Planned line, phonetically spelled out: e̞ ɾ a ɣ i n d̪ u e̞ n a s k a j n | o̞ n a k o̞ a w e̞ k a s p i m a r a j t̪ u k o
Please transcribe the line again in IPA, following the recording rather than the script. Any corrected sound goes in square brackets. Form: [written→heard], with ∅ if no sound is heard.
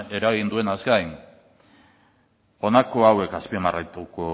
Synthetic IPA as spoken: e̞ ɾ a ɣ i n d̪ u e̞ n a s k a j n | o̞ n a k o̞ a w e̞ k a s p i m a r a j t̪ u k o